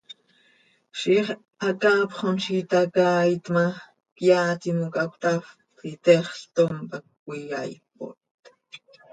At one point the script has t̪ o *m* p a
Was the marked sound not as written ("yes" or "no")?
no